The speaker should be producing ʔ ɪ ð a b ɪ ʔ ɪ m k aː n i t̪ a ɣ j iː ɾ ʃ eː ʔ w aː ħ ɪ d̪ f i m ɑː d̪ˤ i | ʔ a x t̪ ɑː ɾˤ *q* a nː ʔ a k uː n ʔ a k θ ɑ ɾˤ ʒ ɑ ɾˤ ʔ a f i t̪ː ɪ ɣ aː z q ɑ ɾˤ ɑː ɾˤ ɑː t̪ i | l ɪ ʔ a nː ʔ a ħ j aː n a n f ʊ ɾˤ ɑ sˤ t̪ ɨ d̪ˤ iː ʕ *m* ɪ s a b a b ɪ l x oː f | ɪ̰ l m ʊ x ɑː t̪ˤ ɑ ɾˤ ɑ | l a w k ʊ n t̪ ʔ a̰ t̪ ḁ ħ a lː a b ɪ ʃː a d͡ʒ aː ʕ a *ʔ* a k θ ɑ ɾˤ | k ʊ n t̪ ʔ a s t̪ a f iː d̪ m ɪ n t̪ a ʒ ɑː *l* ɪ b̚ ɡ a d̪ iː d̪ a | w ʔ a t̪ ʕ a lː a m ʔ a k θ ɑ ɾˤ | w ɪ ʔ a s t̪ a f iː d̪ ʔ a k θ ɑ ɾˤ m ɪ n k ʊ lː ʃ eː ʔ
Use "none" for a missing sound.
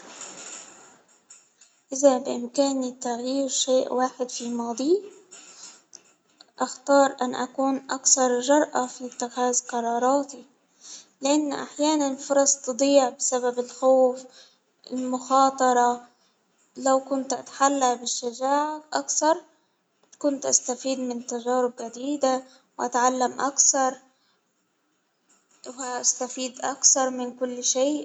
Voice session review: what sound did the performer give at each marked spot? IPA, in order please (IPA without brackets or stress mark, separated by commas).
ʔ, b, ʔ, ɾ